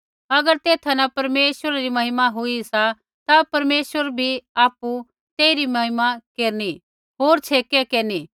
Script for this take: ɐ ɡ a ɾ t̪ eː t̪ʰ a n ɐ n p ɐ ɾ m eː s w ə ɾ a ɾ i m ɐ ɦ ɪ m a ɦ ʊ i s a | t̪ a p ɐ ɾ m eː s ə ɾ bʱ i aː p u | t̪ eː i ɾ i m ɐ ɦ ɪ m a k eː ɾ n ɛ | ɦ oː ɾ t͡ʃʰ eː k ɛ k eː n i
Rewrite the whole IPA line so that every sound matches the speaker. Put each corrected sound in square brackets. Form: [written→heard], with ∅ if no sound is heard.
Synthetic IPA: ɐ ɡ [a→ə] ɾ t̪ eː t̪ʰ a n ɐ [n→∅] p ɐ ɾ m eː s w ə ɾ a ɾ i m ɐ ɦ ɪ m a ɦ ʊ i s a | t̪ a p ɐ ɾ m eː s ə ɾ bʱ i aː p u | t̪ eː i ɾ i m ɐ ɦ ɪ m a k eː ɾ n [ɛ→i] | ɦ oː ɾ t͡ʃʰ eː k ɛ k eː n i